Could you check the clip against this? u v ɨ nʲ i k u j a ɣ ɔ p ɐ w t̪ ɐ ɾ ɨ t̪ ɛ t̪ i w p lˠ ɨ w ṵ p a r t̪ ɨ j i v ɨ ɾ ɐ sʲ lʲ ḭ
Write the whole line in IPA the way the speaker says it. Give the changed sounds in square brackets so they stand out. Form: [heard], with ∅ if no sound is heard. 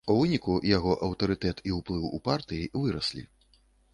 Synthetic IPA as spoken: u v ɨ nʲ i k u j a ɣ ɔ [ʔ] ɐ w t̪ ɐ ɾ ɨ t̪ ɛ t̪ i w p lˠ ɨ w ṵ p a r t̪ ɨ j i v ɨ ɾ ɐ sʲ lʲ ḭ